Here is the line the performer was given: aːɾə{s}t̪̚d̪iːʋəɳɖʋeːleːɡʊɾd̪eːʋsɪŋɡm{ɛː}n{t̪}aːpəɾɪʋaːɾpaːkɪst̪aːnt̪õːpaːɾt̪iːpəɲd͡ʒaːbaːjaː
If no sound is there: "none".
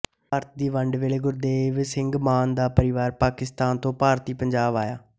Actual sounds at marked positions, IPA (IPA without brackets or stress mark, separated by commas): none, aː, d̪